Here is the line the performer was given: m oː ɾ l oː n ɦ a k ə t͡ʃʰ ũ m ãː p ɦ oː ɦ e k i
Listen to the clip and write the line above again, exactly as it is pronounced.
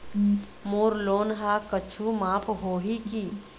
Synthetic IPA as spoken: m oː ɾ l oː n ɦ a k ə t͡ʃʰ u m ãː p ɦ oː ɦ i k i